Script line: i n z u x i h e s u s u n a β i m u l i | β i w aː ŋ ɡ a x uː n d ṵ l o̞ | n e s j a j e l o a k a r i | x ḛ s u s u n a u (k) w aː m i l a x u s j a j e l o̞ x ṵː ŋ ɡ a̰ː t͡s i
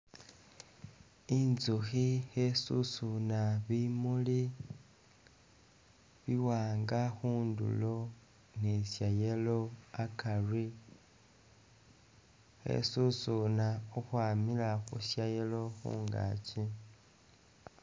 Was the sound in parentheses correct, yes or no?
no